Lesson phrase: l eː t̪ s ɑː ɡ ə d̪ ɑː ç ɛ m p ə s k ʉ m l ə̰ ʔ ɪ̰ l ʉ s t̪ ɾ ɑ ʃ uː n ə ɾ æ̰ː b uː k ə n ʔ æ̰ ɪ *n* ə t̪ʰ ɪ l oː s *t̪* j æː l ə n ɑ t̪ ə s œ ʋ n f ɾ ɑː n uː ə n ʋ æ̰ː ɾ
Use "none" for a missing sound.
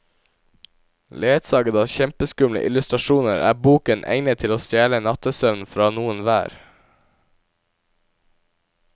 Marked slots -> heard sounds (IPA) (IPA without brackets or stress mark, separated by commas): n, t̪